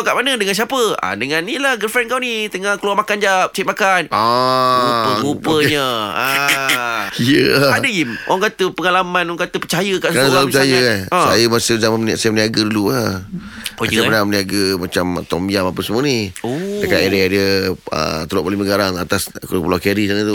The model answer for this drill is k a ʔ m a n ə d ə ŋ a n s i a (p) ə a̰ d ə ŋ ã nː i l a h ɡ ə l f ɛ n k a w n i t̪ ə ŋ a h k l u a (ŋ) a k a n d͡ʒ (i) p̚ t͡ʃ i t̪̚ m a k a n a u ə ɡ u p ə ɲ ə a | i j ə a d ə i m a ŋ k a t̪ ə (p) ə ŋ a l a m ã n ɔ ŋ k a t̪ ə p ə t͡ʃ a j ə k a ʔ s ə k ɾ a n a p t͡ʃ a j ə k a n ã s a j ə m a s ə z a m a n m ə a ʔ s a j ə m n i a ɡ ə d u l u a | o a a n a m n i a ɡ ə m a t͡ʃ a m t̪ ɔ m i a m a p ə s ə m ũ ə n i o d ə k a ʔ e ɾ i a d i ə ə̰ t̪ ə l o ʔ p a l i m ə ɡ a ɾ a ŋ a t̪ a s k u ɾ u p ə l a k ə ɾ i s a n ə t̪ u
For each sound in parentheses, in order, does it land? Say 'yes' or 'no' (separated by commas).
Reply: yes, no, no, yes